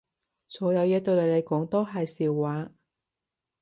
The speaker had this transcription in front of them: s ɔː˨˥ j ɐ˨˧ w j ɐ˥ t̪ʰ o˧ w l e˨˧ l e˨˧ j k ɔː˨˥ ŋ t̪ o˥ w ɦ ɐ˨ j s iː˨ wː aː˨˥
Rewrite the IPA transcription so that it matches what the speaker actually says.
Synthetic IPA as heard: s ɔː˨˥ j ɐ˨˧ w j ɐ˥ t̪ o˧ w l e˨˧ l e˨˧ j k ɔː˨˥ ŋ t̪ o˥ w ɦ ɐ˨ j s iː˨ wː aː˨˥